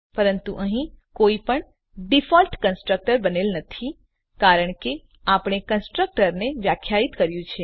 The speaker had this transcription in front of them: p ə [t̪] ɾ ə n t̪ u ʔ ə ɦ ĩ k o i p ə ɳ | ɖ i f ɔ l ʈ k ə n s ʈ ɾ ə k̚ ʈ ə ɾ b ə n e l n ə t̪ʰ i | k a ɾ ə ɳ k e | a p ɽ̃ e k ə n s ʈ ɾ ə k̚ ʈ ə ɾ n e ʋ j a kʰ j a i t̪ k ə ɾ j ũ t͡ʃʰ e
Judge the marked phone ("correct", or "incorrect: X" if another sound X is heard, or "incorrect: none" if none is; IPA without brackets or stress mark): incorrect: none